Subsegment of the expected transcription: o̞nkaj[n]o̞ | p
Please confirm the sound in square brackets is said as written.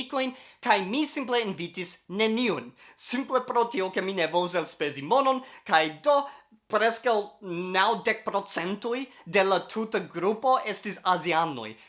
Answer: no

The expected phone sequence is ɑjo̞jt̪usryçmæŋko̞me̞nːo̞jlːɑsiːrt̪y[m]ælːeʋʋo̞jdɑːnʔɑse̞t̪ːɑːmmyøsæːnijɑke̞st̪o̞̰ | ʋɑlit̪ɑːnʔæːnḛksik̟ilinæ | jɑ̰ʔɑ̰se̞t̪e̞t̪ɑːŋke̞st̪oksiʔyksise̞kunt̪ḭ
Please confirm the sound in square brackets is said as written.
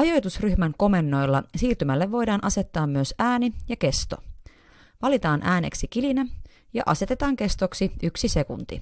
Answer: yes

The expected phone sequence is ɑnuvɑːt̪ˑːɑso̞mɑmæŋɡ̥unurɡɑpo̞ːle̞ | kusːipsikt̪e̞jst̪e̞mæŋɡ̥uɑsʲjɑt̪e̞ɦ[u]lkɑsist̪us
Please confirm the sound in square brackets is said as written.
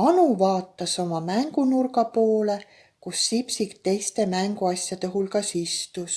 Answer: yes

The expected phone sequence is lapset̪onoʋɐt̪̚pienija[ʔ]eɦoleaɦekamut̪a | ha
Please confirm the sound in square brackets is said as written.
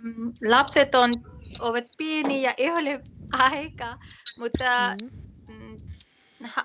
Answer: yes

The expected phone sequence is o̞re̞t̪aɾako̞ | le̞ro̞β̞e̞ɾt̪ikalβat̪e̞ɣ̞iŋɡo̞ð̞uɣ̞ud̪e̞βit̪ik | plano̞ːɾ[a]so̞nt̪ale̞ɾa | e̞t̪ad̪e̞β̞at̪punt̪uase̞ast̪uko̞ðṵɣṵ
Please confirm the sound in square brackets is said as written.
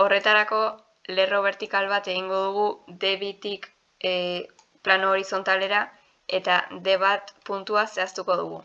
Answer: no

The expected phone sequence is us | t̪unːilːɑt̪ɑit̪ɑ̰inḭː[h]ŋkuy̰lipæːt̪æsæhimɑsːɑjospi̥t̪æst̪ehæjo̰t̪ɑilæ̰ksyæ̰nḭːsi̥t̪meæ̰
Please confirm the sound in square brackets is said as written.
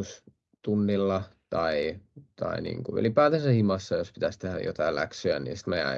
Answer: no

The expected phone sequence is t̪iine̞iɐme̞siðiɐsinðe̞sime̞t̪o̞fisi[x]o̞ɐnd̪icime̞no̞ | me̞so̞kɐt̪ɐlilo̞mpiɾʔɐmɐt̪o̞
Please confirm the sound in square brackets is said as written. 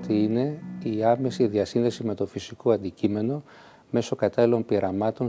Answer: no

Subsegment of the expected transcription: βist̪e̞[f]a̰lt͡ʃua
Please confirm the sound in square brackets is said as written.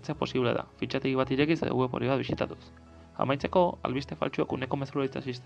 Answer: yes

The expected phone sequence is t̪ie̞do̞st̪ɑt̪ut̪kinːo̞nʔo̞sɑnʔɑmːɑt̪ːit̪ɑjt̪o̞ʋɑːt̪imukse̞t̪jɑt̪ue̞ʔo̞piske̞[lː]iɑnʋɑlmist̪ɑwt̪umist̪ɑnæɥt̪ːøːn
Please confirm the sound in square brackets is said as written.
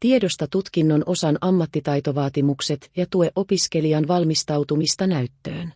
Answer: no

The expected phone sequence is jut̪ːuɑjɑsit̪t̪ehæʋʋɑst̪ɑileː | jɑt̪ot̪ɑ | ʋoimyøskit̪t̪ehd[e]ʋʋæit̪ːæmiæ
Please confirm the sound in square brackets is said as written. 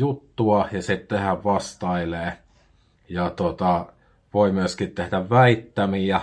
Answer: no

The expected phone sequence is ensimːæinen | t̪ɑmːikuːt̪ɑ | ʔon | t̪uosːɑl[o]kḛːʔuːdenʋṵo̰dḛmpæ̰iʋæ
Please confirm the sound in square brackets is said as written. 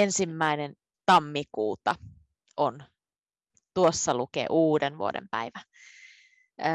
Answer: no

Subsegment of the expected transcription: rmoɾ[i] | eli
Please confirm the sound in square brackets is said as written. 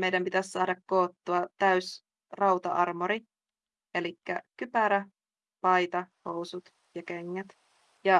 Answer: yes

